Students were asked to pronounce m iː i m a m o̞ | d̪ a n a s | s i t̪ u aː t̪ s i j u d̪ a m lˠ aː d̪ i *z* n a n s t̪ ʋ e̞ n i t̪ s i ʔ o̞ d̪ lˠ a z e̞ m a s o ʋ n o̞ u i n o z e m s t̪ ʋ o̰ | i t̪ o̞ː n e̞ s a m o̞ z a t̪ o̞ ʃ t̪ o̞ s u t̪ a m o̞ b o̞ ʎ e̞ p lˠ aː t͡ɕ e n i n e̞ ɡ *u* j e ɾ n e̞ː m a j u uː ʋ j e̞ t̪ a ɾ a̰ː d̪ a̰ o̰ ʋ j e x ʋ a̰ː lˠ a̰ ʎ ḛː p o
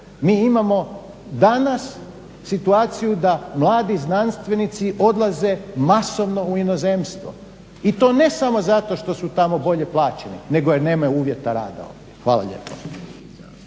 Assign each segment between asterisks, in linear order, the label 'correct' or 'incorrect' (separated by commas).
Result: correct, incorrect